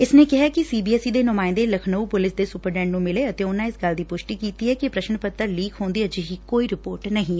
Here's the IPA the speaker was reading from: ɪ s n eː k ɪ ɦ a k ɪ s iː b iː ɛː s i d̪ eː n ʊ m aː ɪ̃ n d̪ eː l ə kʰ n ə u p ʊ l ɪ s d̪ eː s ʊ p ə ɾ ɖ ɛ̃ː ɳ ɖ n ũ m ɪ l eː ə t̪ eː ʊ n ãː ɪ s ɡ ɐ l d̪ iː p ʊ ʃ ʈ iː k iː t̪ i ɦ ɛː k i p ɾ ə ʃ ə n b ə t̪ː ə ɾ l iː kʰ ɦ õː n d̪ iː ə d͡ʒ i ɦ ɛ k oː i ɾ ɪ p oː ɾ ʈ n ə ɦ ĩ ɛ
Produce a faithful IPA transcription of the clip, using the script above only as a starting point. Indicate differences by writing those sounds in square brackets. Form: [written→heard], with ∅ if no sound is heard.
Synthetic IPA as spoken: ɪ s n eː k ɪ ɦ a k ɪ s iː b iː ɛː s i d̪ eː n ʊ m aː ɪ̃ n d̪ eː l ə kʰ n ə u p ʊ l ɪ s d̪ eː s ʊ p ə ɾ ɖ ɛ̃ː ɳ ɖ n ũ m ɪ l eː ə t̪ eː ʊ n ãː ɪ s ɡ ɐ l d̪ iː p ʊ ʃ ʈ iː k iː t̪ i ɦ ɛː k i p ɾ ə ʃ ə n [b→p] ə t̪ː ə ɾ l iː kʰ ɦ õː n d̪ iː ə d͡ʒ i ɦ [ɛ→i] k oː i ɾ ɪ p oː ɾ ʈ n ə ɦ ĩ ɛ

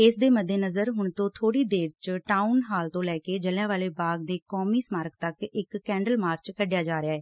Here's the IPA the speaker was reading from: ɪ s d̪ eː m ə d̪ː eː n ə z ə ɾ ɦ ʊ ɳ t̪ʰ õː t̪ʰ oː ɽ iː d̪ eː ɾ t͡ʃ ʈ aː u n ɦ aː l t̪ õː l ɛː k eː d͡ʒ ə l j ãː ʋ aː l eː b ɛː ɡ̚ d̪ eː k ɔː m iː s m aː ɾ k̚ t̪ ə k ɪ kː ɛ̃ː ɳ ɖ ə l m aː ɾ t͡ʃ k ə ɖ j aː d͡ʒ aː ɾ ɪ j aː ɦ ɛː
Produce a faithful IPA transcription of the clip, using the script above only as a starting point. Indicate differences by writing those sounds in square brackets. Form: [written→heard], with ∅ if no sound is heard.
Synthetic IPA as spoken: ɪ s d̪ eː m ə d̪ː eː n ə z ə ɾ ɦ ʊ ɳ [t̪ʰ→t̪] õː t̪ʰ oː ɽ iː d̪ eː ɾ t͡ʃ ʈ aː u n ɦ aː l t̪ õː l ɛː k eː d͡ʒ ə l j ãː ʋ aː l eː b [ɛː→aː] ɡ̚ d̪ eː k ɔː m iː s m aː ɾ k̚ t̪ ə k ɪ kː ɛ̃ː ɳ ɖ ə l m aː ɾ t͡ʃ k ə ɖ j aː d͡ʒ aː ɾ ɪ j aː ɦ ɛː

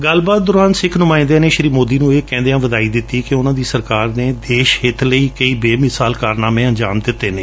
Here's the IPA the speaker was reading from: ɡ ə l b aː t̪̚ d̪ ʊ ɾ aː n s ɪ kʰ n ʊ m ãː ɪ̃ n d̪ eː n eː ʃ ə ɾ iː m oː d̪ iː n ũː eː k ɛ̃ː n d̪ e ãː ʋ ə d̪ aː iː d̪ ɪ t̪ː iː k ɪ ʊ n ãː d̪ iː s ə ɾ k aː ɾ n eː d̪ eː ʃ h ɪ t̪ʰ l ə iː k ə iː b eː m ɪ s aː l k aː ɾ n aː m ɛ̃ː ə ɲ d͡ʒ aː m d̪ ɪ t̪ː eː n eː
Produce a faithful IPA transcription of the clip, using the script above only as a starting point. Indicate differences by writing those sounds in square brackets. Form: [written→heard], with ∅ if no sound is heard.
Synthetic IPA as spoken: ɡ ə l b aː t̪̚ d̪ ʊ ɾ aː n s ɪ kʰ n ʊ m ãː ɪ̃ n d̪ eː n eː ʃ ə ɾ iː m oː d̪ iː n ũː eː k ɛ̃ː n d̪ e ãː ʋ ə d̪ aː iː d̪ ɪ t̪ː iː k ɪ ʊ n ãː d̪ iː s ə ɾ k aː ɾ n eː d̪ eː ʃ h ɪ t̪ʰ l ə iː k ə iː b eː m ɪ s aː l k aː ɾ n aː m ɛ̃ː ə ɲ d͡ʒ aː m d̪ ɪ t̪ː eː n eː

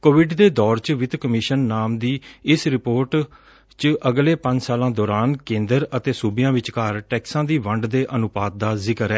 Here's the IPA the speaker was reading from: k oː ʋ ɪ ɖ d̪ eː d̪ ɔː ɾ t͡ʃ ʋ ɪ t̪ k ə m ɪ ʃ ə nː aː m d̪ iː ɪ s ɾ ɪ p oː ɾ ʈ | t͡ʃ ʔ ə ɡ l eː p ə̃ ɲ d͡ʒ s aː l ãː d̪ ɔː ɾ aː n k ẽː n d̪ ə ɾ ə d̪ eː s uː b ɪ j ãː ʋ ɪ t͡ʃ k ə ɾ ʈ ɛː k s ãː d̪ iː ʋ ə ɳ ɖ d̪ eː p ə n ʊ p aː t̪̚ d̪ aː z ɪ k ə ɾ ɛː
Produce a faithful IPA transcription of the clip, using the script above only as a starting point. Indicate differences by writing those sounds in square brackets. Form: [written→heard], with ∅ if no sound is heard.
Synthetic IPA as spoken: k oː ʋ ɪ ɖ d̪ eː d̪ ɔː ɾ t͡ʃ ʋ ɪ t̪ k ə m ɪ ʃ ə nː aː m d̪ iː ɪ s ɾ ɪ p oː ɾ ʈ | t͡ʃ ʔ ə ɡ l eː p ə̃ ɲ d͡ʒ s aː l ãː d̪ ɔː ɾ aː n k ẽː n d̪ ə ɾ ə [d̪→t̪] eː s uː b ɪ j ãː ʋ ɪ t͡ʃ k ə ɾ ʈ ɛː k s ãː d̪ iː ʋ ə ɳ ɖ d̪ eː [p→ʔ] ə n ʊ p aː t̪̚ d̪ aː z ɪ k ə ɾ ɛː

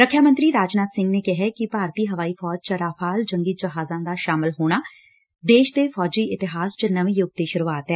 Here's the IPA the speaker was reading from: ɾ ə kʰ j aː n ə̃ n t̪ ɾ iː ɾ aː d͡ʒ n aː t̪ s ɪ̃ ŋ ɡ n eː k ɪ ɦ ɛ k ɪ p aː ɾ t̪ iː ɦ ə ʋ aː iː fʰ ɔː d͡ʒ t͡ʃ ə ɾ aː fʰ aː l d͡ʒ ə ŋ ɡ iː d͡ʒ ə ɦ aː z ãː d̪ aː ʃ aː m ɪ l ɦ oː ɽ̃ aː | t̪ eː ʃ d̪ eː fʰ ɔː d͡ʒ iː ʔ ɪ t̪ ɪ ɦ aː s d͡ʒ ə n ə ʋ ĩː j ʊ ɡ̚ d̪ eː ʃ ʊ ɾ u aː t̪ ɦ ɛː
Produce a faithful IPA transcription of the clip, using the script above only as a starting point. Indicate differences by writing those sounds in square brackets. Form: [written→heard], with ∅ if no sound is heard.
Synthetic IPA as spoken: ɾ ə kʰ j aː [n→m] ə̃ n t̪ ɾ iː ɾ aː d͡ʒ n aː t̪ s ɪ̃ ŋ ɡ n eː k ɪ ɦ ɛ k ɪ p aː ɾ t̪ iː ɦ ə ʋ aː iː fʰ ɔː d͡ʒ t͡ʃ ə ɾ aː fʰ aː l d͡ʒ ə ŋ ɡ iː d͡ʒ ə ɦ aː z ãː d̪ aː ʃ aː m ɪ l ɦ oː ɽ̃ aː | [t̪→d̪] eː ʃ d̪ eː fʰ ɔː d͡ʒ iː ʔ ɪ t̪ ɪ ɦ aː s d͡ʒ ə n ə ʋ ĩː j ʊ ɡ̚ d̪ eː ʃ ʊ ɾ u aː t̪ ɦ ɛː

